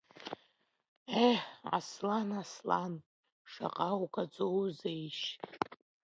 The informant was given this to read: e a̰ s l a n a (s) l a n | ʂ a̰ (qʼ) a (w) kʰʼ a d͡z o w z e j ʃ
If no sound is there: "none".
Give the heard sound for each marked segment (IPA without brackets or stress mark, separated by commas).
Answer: s, qʼ, w